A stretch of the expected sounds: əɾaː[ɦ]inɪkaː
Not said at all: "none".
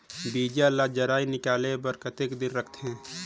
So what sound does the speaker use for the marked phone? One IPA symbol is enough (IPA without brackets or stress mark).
none